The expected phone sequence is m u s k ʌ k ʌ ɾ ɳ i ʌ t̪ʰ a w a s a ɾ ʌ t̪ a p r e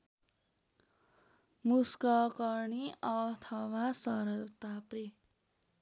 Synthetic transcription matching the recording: m u s k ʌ k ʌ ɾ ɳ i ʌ t̪ʰ ʌ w a s ʌ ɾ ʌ t̪ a p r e